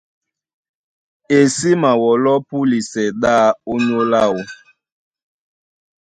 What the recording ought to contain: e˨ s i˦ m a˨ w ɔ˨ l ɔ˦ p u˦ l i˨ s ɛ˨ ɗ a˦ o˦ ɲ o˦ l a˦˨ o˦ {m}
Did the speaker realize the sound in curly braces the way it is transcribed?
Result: no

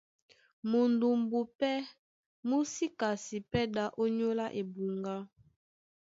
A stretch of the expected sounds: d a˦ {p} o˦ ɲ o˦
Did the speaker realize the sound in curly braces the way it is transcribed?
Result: no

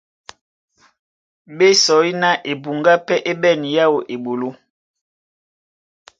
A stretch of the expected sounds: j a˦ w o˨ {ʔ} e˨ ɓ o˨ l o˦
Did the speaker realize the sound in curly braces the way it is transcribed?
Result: yes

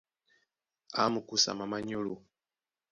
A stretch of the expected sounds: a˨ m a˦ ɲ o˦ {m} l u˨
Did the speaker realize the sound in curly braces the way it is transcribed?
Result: no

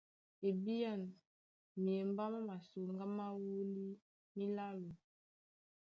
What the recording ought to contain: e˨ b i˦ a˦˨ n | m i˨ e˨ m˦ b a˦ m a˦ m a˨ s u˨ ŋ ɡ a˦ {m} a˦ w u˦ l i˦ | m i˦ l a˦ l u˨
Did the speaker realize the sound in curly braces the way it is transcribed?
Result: yes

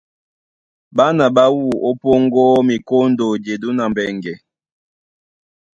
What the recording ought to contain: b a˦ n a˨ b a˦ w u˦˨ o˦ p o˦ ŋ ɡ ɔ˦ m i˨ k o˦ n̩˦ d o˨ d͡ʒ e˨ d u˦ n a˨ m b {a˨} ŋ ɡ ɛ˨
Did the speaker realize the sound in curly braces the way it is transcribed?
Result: no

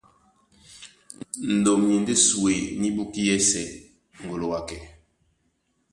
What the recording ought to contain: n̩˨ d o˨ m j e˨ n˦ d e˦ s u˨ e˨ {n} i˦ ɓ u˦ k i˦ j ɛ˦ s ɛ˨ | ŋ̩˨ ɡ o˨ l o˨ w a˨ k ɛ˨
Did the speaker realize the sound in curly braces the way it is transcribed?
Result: yes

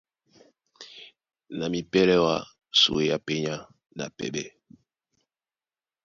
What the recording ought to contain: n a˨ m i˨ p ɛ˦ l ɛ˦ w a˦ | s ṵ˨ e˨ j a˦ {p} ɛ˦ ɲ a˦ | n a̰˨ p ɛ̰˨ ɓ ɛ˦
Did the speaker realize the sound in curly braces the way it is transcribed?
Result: yes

